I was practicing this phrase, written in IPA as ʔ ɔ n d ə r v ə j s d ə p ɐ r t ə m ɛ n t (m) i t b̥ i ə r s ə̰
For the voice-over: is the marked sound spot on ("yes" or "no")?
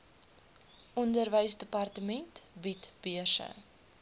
no